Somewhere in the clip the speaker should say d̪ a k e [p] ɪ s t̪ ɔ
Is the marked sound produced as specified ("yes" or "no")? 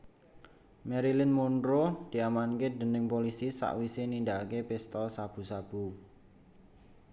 yes